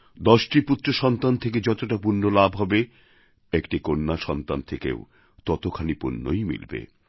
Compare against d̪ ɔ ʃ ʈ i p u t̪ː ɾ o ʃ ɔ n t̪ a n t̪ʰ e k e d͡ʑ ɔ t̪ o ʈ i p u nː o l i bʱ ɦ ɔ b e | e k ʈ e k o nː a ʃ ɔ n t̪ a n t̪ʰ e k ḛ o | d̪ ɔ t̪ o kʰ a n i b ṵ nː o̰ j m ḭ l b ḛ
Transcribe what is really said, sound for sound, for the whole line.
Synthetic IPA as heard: d̪ ɔ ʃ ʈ i p u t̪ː ɾ o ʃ ɔ n t̪ a n t̪ʰ e k e d͡ʑ ɔ t̪ o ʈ a p u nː o l a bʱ ɦ ɔ b e | e k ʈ i k o nː a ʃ ɔ n t̪ a n t̪ʰ e k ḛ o | t̪ ɔ t̪ o kʰ a n i p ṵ nː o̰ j m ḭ l b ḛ

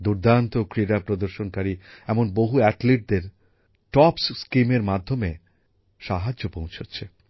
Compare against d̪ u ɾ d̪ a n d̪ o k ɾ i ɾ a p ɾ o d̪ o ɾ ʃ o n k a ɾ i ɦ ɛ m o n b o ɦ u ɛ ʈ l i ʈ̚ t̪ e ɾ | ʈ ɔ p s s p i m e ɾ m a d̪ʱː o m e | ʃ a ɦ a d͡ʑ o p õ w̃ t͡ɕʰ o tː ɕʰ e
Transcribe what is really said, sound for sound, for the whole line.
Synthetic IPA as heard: d̪ u ɾ d̪ a n t̪ o k ɾ i ɾ a p ɾ o d̪ o ɾ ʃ o n k a ɾ i ɛ m o n b o ɦ u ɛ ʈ l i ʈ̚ d̪ e ɾ | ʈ ɔ p s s k i m e ɾ m a d̪ʱː o m e | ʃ a ɦ a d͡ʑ o p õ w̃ t͡ɕʰ o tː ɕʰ e

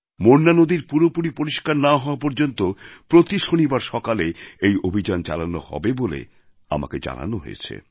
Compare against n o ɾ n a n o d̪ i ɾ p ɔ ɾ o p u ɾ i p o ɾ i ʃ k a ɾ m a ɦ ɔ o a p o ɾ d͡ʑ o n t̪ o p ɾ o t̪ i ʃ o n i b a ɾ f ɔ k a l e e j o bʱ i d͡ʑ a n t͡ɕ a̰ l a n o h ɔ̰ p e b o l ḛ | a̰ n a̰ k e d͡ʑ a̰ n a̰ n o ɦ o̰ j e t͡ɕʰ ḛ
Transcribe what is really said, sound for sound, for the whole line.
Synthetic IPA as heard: m o ɾ n a n o d̪ i ɾ p u ɾ o p u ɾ i p o ɾ i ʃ k a ɾ n a ɦ ɔ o a p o ɾ d͡ʑ o n t̪ o p ɾ o t̪ i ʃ o n i b a ɾ ʃ ɔ k a l e e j o bʱ i d͡ʑ a n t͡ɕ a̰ l a n o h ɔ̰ b e b o l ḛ | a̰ m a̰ k e d͡ʑ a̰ n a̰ n o ɦ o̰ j e t͡ɕʰ ḛ

